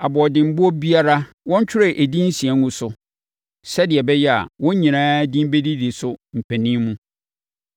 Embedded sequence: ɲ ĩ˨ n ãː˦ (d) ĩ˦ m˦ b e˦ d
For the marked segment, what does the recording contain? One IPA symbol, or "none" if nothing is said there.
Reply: d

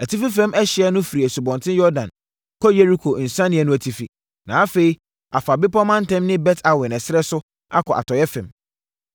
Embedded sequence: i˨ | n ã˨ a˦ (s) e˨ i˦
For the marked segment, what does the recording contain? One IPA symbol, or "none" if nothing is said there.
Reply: f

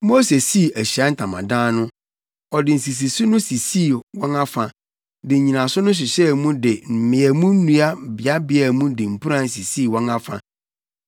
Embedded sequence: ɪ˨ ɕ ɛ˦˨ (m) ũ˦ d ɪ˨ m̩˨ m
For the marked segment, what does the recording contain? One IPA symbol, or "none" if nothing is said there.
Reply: m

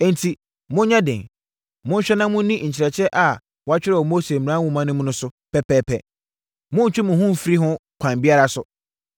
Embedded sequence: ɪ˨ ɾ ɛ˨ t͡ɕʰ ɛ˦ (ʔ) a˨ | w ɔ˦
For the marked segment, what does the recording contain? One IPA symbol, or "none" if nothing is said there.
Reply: ʔ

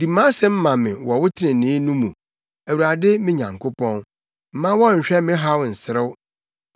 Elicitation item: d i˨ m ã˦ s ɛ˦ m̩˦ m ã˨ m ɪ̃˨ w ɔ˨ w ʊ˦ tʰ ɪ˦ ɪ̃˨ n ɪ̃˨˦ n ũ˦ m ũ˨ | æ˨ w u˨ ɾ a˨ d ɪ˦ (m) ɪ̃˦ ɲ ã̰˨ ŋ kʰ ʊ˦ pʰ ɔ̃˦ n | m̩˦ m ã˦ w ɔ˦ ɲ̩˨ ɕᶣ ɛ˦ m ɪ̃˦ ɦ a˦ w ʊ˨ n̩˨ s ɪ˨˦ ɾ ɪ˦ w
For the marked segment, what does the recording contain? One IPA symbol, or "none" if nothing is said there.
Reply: m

